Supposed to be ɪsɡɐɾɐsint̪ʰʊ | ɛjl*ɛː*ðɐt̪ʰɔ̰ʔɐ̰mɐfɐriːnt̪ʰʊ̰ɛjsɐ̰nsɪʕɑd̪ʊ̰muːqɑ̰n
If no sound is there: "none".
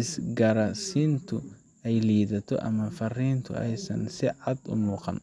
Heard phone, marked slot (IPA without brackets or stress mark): iː